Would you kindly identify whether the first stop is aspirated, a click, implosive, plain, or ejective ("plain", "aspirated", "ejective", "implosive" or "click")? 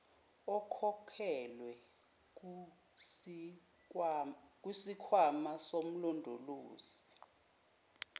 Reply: aspirated